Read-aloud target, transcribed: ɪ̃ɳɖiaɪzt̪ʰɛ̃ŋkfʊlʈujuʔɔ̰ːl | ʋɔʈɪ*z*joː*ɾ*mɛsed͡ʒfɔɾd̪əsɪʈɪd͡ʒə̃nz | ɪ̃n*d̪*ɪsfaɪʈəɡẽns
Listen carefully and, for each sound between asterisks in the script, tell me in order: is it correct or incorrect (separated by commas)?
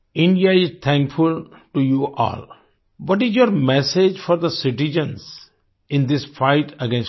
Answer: correct, correct, correct